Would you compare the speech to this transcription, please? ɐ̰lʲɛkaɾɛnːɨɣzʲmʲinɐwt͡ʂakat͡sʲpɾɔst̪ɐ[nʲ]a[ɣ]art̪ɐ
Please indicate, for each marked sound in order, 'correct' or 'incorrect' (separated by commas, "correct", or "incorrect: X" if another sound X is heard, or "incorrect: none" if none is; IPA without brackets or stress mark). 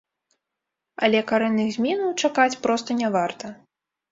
correct, incorrect: v